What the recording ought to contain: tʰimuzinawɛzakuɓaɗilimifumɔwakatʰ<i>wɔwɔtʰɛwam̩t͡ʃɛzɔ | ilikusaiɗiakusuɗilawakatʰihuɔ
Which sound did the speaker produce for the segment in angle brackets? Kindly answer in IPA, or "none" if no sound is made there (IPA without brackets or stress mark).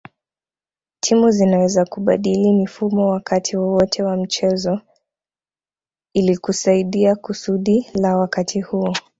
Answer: i